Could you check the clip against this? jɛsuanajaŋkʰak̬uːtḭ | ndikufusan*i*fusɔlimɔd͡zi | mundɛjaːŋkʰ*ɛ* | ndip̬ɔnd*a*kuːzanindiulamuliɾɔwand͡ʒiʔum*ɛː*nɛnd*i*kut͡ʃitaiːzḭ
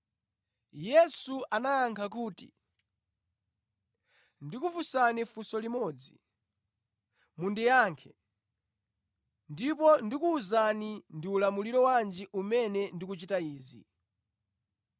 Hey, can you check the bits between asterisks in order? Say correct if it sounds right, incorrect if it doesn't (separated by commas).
correct, correct, incorrect, incorrect, correct